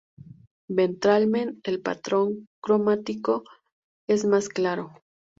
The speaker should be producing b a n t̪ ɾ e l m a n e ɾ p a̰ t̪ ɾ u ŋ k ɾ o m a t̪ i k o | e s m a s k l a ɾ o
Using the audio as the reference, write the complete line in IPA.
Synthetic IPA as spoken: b e n t̪ ɾ a l m e n e l p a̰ t̪ ɾ o ŋ k ɾ o m a t̪ i k o | e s m a s k l a ɾ o